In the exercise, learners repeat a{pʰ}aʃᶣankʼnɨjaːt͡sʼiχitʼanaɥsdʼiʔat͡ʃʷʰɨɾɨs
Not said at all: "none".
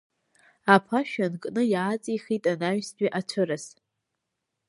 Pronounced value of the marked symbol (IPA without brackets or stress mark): pʰ